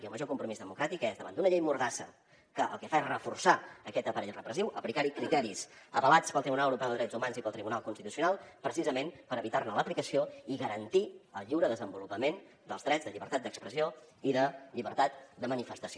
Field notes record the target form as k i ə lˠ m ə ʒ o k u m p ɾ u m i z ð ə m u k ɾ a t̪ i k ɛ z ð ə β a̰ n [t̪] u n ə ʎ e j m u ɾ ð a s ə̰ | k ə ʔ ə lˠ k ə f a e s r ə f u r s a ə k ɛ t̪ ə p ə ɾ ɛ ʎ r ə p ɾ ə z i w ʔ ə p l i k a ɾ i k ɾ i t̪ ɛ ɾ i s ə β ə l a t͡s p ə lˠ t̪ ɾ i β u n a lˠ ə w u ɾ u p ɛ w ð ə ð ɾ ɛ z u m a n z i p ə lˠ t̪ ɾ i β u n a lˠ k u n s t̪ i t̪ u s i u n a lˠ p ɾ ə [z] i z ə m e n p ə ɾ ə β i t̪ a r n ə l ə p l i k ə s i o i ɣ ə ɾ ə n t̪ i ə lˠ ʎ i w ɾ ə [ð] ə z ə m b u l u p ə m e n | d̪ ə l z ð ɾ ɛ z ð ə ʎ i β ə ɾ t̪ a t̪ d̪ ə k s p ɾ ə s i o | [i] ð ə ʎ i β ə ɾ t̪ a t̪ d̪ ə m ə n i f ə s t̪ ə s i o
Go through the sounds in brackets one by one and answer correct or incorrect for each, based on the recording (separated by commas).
incorrect, incorrect, correct, correct